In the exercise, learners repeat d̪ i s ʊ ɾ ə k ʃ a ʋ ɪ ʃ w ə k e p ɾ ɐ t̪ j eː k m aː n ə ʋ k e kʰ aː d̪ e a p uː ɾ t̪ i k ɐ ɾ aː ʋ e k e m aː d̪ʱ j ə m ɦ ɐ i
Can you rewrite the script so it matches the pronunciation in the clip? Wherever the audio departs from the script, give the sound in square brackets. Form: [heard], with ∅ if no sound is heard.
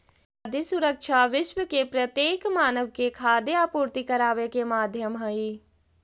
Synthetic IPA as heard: d̪ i s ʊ ɾ ə k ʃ a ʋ ɪ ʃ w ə k e p ɾ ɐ t̪ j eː k m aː n ə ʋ k e kʰ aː d̪ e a p uː ɾ t̪ i k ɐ ɾ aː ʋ e k e m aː d̪ʱ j ə m ɦ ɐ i